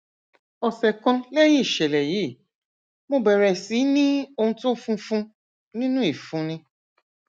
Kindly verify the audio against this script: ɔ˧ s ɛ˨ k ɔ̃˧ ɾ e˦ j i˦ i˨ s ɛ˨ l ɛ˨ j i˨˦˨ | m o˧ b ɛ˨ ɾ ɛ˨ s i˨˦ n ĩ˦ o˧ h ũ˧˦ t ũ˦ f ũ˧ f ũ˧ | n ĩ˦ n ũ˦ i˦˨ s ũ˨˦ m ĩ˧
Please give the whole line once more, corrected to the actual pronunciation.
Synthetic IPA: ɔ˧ s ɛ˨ k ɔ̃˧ l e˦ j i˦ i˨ ʃ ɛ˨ l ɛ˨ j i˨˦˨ | m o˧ b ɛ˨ ɾ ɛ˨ s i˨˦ n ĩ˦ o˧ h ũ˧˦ t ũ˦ f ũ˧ f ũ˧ | n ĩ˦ n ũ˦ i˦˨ f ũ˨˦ n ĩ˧